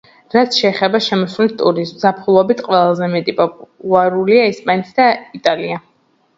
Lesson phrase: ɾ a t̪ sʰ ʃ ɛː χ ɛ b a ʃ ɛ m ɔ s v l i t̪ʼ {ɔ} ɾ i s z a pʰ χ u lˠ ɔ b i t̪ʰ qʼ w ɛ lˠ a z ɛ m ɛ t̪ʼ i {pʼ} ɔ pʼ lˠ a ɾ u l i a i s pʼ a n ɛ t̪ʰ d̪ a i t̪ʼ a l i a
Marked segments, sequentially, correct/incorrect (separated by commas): incorrect, correct